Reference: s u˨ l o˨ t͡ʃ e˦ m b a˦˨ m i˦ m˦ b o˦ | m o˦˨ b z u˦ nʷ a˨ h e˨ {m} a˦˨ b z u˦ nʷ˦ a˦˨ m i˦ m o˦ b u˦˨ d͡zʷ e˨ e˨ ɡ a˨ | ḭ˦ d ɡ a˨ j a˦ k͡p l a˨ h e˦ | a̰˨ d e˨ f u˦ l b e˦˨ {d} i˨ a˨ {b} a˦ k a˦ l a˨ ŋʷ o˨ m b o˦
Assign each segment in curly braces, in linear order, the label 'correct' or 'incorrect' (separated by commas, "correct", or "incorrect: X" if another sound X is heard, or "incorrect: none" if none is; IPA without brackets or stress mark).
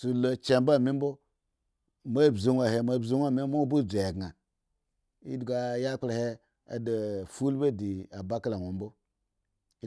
correct, correct, correct